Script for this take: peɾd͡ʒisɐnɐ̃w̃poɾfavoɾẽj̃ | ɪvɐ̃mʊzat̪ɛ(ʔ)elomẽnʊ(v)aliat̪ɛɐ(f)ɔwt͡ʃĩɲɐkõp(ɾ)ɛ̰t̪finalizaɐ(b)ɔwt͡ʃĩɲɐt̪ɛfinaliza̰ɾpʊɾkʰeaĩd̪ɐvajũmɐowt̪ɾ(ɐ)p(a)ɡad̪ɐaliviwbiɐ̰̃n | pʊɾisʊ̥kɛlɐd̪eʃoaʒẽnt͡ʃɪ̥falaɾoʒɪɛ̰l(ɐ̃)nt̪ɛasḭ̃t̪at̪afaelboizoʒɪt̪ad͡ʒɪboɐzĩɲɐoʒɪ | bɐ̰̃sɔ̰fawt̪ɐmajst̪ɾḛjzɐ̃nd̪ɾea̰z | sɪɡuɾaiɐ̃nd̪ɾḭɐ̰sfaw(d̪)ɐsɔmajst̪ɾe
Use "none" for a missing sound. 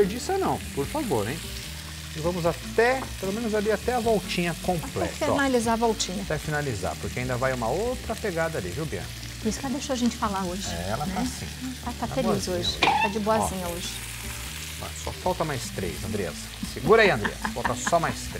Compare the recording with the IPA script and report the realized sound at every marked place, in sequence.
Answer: p, z, v, l, v, ɐ, e, ɐ, t̪

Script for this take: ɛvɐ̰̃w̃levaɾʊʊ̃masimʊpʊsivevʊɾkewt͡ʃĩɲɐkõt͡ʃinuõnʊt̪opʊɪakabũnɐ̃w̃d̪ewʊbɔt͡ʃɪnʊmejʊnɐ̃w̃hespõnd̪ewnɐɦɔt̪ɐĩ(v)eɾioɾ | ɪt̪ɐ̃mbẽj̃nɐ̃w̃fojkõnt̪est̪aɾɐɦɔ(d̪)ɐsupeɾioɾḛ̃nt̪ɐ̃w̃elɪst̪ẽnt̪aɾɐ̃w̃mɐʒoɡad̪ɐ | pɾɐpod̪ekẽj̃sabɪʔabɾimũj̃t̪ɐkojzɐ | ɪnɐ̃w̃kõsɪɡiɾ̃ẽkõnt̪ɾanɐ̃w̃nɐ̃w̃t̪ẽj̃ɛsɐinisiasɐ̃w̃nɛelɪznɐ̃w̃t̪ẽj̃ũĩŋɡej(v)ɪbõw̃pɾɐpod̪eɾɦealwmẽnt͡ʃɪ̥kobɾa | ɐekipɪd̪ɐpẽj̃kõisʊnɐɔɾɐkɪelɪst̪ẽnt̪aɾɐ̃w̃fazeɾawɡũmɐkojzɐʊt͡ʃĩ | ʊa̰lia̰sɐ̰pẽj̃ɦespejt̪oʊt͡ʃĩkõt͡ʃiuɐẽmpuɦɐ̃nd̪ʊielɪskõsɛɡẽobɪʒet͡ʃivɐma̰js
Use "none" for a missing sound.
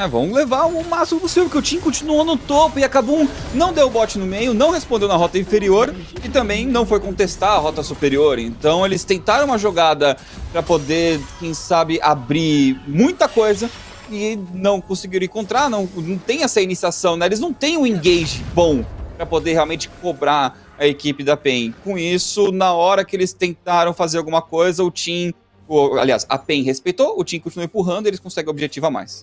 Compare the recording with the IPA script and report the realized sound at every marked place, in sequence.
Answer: f, t̪, ʒ

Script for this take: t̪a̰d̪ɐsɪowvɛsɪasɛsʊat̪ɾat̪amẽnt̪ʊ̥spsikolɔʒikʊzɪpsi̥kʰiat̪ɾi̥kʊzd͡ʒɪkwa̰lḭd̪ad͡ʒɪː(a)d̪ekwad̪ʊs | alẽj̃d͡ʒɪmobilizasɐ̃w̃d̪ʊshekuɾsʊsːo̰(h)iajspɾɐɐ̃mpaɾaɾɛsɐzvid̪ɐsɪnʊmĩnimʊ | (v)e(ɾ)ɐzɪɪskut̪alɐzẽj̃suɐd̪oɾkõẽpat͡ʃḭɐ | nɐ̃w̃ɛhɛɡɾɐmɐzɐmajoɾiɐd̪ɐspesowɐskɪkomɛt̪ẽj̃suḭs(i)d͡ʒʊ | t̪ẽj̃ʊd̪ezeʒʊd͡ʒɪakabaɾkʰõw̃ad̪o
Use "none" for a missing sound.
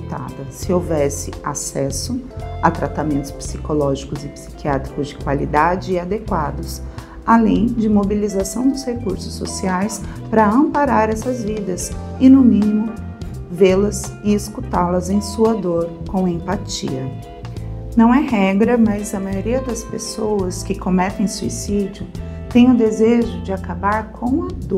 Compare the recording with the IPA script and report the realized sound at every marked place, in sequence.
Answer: a, s, v, l, i

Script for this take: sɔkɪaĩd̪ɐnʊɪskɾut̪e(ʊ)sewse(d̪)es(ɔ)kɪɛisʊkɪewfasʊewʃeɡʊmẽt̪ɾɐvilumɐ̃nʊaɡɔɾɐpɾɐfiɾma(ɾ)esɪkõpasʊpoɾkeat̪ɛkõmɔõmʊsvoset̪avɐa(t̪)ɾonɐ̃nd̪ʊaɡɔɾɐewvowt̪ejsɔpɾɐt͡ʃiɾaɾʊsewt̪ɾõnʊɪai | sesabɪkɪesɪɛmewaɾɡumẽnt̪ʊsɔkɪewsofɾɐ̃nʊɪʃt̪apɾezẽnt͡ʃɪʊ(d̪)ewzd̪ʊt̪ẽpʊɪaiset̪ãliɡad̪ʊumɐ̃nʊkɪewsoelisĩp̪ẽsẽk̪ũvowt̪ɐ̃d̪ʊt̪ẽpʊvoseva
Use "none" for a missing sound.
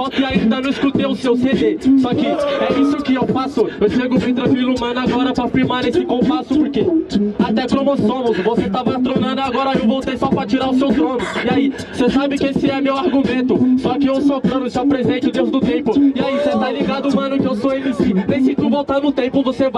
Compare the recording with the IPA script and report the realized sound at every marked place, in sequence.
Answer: ʊ, d̪, ɔ, ɾ, t̪, d̪

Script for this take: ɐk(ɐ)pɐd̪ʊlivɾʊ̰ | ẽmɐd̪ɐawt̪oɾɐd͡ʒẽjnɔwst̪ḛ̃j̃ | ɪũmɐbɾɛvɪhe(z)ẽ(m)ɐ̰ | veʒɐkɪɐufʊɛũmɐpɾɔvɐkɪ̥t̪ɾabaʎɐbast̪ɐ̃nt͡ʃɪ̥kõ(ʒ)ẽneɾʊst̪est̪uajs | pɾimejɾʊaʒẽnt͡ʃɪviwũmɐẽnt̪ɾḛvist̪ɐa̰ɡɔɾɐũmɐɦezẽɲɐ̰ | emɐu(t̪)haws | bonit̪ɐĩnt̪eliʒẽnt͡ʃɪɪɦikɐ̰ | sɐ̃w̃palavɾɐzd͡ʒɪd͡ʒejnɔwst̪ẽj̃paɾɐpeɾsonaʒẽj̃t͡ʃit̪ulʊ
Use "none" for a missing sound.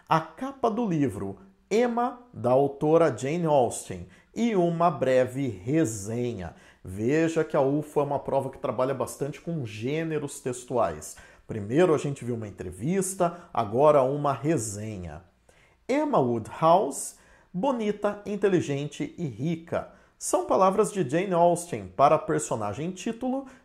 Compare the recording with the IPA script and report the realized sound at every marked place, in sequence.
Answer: a, z, ɲ, ʒ, d̪

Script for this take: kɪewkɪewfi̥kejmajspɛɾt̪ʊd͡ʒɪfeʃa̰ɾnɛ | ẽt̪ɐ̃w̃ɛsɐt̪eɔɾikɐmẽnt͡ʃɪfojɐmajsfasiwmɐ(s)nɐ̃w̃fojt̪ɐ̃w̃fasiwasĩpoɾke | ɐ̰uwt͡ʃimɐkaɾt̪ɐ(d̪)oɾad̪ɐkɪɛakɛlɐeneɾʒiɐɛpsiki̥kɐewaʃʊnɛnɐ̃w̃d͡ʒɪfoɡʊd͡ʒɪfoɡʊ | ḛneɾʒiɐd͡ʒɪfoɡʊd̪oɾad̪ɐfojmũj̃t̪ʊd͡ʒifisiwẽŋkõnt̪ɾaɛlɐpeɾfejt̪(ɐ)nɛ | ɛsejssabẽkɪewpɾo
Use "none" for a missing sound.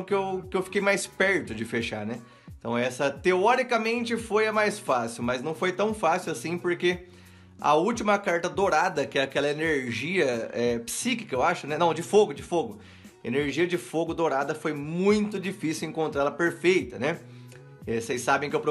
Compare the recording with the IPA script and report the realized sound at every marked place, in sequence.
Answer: z, d̪, ɐ

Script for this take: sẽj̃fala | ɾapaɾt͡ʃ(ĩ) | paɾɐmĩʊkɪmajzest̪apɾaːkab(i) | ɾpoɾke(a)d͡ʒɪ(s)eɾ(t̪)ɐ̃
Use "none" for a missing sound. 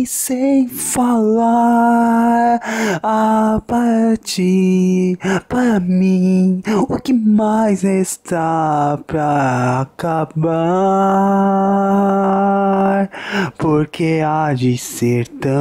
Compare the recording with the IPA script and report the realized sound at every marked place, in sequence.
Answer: i, a, a, s, t̪

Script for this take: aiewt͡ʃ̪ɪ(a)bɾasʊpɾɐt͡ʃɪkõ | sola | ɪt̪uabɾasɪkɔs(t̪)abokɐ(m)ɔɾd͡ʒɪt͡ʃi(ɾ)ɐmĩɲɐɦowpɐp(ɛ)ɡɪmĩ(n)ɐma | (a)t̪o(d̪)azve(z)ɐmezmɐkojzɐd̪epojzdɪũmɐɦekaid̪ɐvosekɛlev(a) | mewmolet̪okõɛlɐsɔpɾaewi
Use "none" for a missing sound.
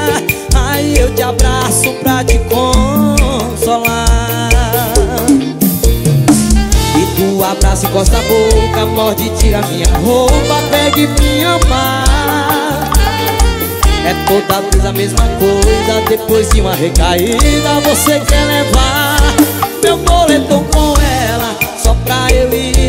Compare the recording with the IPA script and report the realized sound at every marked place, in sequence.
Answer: a, t̪, m, ɾ, ɛ, ɲ, ɛ, d̪, z, a

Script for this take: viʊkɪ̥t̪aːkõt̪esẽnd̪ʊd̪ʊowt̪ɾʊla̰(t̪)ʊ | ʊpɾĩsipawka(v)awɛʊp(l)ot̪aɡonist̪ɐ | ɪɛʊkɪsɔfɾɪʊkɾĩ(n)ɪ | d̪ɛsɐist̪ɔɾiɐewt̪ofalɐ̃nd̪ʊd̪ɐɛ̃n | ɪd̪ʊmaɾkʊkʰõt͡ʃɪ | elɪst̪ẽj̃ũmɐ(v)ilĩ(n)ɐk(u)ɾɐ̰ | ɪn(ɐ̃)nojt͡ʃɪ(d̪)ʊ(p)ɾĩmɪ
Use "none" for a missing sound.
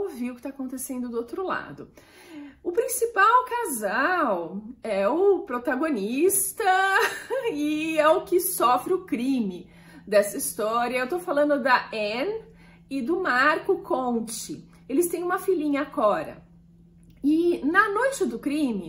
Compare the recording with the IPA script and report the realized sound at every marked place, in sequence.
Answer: d̪, z, ɾ, m, f, ɲ, ɔ, ɐ, d̪, k

